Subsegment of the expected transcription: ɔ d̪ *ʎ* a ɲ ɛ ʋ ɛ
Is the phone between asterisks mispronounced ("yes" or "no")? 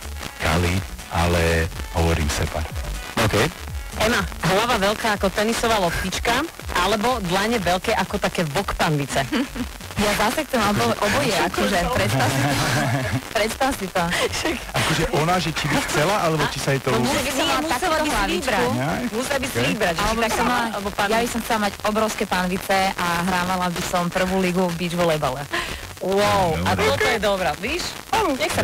yes